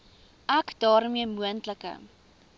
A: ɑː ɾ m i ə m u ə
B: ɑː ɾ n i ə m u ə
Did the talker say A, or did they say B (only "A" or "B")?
A